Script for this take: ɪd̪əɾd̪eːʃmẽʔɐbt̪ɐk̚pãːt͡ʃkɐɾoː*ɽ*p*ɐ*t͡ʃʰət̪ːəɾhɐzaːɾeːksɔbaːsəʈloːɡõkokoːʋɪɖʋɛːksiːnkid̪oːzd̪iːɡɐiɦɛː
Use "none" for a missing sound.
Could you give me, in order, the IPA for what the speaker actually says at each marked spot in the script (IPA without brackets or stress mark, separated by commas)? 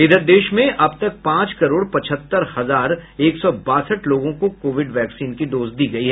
ɽ, ɐ